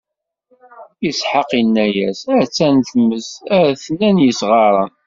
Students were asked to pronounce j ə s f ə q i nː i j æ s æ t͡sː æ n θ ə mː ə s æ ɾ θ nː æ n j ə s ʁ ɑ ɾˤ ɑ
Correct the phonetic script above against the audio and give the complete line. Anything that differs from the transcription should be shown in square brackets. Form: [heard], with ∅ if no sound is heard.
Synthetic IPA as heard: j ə s [ħ] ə q i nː [æ] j æ s æ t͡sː æ n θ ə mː ə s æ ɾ θ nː æ n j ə s ʁ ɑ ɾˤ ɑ